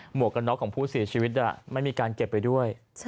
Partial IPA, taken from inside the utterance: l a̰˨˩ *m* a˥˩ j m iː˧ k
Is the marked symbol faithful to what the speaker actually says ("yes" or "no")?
yes